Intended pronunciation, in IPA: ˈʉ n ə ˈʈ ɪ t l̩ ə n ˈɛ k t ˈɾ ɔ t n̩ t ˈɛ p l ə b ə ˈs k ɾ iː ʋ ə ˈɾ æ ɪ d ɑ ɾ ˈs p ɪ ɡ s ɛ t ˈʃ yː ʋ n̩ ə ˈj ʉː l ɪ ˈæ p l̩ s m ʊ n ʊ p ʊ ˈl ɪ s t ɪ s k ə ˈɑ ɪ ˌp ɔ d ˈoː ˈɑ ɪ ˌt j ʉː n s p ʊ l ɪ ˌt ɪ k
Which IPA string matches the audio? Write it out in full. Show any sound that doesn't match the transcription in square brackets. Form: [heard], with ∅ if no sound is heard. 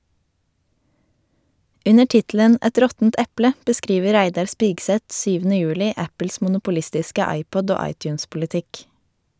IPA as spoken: ˈʉ n ə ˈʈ ɪ t l̩ ə n ˈɛ [∅] t ˈɾ ɔ t n̩ t ˈɛ p l ə b ə ˈs k ɾ iː ʋ ə ˈɾ æ ɪ d ɑ ɾ ˈs p ɪ ɡ s ɛ t ˈʃ yː ʋ n̩ ə ˈj ʉː l ɪ ˈæ p l̩ s m ʊ n ʊ p ʊ ˈl ɪ s t ɪ s k ə ˈɑ ɪ ˌp ɔ d ˈoː ˈɑ ɪ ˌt j ʉː n s p ʊ l ɪ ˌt ɪ k